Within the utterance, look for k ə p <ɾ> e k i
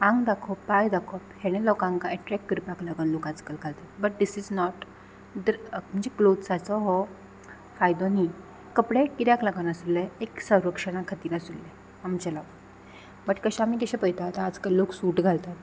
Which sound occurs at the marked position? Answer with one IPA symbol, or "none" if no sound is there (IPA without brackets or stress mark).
ɽ